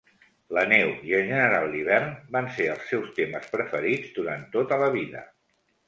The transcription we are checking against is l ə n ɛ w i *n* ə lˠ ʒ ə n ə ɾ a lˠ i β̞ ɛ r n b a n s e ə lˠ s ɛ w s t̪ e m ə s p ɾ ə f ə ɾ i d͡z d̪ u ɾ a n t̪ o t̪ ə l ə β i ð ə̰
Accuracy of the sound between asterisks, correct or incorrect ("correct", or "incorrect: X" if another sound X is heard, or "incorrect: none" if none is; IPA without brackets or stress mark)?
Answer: incorrect: none